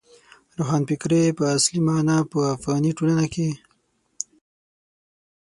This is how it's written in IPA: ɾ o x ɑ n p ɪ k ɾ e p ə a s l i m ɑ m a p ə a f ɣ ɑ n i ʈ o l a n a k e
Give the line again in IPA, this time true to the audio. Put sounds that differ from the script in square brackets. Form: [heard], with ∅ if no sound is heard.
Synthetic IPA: ɾ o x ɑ n p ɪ k ɾ e p ə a s l i m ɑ [n] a p ə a f ɣ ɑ n i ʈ o l a n a k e